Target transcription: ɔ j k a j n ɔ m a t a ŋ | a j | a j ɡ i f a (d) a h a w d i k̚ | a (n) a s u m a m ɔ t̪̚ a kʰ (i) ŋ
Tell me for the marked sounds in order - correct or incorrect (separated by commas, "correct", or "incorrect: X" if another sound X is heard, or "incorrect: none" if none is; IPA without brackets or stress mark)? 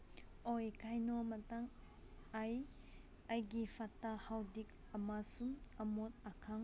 incorrect: t, incorrect: m, incorrect: a